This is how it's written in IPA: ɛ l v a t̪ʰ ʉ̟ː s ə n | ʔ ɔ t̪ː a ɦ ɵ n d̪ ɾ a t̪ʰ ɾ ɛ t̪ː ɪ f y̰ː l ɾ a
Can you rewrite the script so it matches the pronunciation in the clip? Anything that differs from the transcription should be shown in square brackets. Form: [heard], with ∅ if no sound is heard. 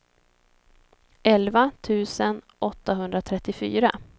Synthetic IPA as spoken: ɛ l v a t̪ʰ ʉ̟ː s ə n | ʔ ɔ t̪ː a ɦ ɵ n d̪ ɾ a t̪ʰ ɾ ɛ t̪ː ɪ f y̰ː [∅] ɾ a

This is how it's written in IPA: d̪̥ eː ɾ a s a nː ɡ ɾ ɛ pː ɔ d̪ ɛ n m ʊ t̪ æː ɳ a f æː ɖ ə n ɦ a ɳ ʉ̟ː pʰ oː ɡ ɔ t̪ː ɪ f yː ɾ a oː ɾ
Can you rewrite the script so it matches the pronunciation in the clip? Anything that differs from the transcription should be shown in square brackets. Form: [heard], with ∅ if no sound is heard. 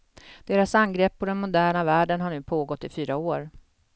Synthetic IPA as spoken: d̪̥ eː ɾ a s a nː ɡ ɾ ɛ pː ɔ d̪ ɛ n m ʊ [d̪] æː ɳ a [v] æː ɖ ə n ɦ a ɳ ʉ̟ː pʰ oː ɡ ɔ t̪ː ɪ f yː ɾ a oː ɾ

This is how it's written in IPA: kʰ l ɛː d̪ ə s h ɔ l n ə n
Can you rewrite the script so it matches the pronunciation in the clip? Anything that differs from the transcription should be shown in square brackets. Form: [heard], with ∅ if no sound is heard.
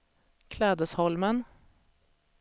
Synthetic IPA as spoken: kʰ l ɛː d̪ ə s h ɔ l [m] ə n

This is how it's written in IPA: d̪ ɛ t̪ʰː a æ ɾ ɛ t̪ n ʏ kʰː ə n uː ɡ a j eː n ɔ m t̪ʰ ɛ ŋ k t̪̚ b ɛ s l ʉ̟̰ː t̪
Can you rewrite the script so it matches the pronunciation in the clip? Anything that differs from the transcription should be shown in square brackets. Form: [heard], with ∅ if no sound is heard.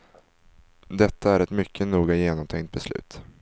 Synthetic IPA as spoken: d̪ ɛ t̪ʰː a æ ɾ ɛ t̪ [m] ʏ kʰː ə n uː ɡ a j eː n ɔ m t̪ʰ ɛ ŋ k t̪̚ b ɛ s l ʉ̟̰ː t̪

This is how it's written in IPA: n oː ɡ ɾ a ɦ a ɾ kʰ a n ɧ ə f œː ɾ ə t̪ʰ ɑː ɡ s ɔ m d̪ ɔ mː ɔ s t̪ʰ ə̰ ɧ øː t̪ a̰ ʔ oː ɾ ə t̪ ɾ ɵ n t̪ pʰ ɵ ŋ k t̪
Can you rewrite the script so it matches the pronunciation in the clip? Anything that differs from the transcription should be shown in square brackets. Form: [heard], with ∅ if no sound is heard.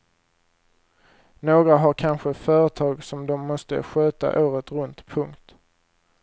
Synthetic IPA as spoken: n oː ɡ ɾ a ɦ a ɾ kʰ a n ɧ ə f œː ɾ ə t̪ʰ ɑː ɡ s ɔ m d̪ ɔ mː ɔ s [t̪] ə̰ ɧ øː t̪ a̰ ʔ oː ɾ ə t̪ ɾ ɵ n t̪ pʰ ɵ ŋ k t̪

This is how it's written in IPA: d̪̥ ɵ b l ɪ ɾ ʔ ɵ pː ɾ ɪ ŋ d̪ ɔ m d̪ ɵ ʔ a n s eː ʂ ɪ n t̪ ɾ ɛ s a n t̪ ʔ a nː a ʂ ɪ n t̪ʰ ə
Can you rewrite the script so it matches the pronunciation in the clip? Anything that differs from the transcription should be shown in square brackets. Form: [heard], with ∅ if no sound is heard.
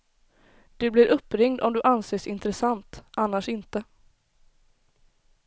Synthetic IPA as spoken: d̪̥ ɵ b l ɪ ɾ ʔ ɵ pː ɾ ɪ ŋ d̪ ɔ m d̪ ɵ ʔ a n s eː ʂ ɪ n t̪ ɾ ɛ s a n t̪ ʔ a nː a ʂ ɪ n [t̪] ə

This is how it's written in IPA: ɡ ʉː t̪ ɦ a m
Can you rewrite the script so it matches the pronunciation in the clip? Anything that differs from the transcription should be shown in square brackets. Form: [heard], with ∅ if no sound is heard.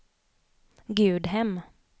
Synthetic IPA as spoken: ɡ ʉː [d̪] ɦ [ɛ] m

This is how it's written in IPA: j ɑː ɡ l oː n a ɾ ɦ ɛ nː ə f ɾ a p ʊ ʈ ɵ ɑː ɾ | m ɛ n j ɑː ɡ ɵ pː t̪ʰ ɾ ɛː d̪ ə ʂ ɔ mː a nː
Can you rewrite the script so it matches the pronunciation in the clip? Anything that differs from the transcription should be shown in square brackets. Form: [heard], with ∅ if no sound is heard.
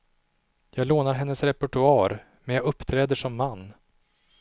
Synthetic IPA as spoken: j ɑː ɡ l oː n a ɾ ɦ ɛ nː ə [s] ɾ [ɛ] p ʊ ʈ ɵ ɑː ɾ | m ɛ n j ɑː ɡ ɵ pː t̪ʰ ɾ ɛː d̪ ə ʂ ɔ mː a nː

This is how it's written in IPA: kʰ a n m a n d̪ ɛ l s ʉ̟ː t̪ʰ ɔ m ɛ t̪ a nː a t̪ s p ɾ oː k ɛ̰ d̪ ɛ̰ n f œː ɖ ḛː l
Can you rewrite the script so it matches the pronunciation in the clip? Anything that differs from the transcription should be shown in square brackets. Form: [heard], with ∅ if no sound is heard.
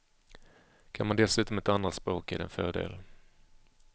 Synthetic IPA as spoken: kʰ a n m a n d̪ ɛ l s ʉ̟ː [t̪] ɔ m ɛ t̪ a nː a t̪ s p ɾ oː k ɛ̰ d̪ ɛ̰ n f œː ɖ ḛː l

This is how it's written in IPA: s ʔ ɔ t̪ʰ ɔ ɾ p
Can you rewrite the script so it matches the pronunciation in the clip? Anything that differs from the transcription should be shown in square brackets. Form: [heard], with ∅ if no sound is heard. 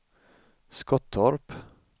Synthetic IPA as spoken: s [k] ɔ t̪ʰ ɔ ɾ p

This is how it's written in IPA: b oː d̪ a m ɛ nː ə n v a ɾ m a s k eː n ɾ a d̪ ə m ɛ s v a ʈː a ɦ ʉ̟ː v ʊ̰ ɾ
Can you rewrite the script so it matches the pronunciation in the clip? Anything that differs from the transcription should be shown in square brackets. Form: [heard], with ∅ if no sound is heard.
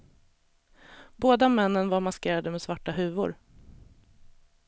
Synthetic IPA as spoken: b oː d̪ a m ɛ nː ə n v a ɾ m a s k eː [∅] ɾ a d̪ ə m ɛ s v a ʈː a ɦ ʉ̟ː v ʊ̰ ɾ

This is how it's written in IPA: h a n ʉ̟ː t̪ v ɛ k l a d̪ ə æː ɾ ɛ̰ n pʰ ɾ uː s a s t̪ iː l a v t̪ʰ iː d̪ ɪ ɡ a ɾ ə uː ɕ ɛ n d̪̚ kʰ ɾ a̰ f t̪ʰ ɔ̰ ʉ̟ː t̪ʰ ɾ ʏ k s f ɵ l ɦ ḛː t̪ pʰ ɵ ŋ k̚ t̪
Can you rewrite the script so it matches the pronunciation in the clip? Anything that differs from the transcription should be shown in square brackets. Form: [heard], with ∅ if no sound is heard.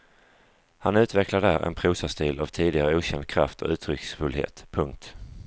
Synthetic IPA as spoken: h a n ʉ̟ː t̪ v ɛ k l a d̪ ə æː ɾ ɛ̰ n pʰ ɾ uː s a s t̪ iː l a v t̪ʰ iː d̪ ɪ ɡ a ɾ ə uː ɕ ɛ n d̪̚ kʰ ɾ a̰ f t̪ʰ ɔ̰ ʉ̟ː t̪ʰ ɾ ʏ k s f ɵ l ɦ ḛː t̪ pʰ ɵ ŋ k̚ t̪

